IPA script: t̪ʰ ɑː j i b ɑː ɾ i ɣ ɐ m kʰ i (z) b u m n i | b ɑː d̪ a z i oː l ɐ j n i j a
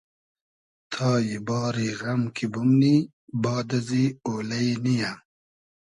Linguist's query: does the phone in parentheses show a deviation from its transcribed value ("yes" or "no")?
yes